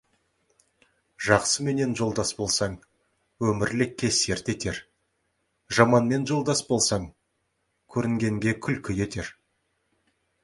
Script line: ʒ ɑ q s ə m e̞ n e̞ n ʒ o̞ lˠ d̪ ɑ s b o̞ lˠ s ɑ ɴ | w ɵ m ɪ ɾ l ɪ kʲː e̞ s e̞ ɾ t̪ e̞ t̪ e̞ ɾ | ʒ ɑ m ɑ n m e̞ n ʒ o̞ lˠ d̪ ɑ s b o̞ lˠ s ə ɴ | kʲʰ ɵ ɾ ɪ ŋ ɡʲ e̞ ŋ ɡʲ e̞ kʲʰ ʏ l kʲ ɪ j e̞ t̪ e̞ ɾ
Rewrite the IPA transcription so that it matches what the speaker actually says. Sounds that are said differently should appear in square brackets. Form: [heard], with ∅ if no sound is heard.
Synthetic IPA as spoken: ʒ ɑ q s ə m e̞ n e̞ n ʒ o̞ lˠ d̪ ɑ s b o̞ lˠ s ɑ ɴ | w ɵ m ɪ ɾ l ɪ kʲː e̞ s e̞ ɾ t̪ e̞ t̪ e̞ ɾ | ʒ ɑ m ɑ n m e̞ n ʒ o̞ lˠ d̪ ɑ s b o̞ lˠ s [ɑ] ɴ | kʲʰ ɵ ɾ ɪ ŋ ɡʲ e̞ ŋ ɡʲ e̞ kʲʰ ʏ l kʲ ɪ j e̞ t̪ e̞ ɾ